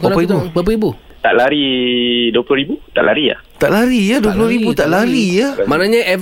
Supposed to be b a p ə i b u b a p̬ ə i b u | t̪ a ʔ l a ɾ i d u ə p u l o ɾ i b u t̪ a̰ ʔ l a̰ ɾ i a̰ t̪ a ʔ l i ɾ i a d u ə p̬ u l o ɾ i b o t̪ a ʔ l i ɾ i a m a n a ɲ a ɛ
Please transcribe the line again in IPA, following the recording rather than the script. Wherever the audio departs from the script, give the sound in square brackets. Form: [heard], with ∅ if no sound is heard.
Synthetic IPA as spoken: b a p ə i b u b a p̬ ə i b u | t̪ a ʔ l a ɾ i d u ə p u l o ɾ i b u t̪ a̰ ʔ l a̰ ɾ i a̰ t̪ a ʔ l [a] ɾ i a d u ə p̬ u l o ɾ i b [u] t̪ a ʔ l [a] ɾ i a m a n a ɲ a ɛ